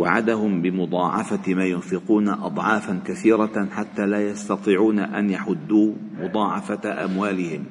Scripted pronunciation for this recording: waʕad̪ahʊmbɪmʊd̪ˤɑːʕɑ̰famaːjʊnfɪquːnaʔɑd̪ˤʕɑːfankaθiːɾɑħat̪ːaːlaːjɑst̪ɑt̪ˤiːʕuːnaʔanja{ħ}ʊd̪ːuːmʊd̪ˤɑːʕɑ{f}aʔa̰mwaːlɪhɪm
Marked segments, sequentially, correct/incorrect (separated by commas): correct, correct